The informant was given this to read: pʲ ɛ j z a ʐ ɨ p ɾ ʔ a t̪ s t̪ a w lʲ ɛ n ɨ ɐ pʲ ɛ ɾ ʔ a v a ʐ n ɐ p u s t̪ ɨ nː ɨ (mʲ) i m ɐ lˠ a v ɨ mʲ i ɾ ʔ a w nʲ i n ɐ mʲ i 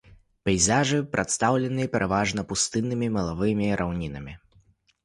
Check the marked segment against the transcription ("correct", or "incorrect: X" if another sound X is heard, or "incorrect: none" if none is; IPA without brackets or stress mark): correct